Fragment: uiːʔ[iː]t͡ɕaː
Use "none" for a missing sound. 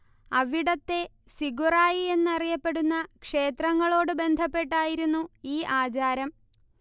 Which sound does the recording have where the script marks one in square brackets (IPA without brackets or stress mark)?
aː